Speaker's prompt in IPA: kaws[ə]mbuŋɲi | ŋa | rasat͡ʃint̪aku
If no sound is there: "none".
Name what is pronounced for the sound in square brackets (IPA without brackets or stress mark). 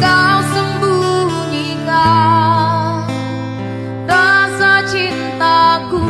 ə